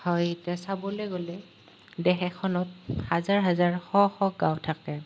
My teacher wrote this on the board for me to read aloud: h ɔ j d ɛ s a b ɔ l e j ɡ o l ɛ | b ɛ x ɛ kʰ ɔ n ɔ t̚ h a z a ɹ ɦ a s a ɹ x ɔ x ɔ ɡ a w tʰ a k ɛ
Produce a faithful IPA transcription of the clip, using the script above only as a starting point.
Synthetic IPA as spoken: h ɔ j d ɛ s a b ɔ l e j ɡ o l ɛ | d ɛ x ɛ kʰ ɔ n ɔ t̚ h a z a ɹ ɦ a z a ɹ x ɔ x ɔ ɡ a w tʰ a k ɛ